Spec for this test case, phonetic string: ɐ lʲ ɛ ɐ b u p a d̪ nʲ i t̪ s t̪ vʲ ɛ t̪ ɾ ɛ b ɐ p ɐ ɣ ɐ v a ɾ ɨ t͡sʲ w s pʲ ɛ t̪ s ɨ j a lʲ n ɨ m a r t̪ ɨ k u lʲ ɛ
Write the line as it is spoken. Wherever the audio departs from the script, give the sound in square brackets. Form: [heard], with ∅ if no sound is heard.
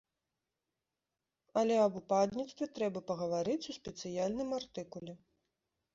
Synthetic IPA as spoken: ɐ lʲ ɛ ɐ b u p a d̪ nʲ i t̪ s t̪ vʲ ɛ t̪ ɾ ɛ b ɐ p ɐ ɣ ɐ v a ɾ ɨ t͡sʲ [u] s pʲ ɛ t̪ s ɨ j a lʲ n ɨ m a r t̪ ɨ k u lʲ ɛ